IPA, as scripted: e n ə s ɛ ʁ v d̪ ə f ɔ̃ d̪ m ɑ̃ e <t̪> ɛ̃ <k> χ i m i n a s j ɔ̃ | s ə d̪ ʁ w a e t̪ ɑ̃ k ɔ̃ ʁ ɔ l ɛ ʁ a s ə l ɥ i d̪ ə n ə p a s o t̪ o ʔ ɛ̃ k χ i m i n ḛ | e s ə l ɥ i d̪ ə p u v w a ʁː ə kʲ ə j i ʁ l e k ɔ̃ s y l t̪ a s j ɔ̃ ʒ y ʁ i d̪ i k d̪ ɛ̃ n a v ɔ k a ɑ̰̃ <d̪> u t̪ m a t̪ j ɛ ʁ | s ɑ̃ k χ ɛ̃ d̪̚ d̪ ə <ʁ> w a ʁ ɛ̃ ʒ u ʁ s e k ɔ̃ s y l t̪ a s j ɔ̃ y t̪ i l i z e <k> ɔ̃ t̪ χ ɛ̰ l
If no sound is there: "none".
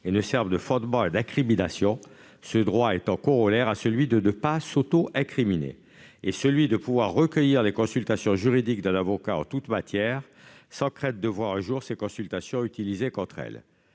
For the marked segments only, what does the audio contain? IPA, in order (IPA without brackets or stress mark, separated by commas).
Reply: d̪, k, t̪, v, k